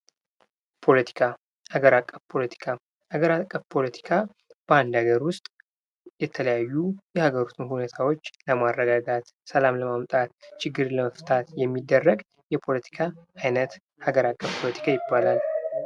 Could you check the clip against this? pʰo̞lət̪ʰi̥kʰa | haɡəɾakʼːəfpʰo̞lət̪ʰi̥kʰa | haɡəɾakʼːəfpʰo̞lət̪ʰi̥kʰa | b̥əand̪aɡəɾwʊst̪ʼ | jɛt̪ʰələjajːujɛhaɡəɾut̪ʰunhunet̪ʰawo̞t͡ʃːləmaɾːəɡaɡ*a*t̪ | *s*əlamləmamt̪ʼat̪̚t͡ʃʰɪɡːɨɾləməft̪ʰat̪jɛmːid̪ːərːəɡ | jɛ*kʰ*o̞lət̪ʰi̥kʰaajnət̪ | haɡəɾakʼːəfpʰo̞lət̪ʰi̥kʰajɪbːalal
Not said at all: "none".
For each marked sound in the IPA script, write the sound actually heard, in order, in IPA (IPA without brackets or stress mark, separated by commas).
a, s, pʰ